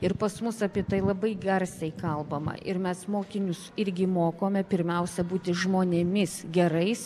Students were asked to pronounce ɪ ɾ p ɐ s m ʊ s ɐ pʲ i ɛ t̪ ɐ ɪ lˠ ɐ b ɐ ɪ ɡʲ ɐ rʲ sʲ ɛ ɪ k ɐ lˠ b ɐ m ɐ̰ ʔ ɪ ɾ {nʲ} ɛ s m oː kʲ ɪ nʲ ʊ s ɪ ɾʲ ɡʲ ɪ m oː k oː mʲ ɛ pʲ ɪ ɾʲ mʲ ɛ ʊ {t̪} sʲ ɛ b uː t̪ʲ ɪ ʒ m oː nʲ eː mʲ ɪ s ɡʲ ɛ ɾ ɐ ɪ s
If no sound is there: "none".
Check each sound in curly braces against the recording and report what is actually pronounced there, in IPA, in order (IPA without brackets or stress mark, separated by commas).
mʲ, none